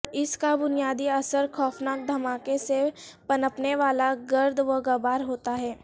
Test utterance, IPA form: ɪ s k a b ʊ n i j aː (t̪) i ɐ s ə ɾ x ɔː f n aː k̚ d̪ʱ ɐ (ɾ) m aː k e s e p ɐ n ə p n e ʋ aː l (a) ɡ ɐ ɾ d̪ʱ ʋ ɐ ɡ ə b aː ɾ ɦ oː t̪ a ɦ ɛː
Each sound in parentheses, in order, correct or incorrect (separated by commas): incorrect, incorrect, correct